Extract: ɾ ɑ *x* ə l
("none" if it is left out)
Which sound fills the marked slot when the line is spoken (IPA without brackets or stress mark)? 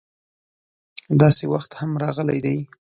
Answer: ɣ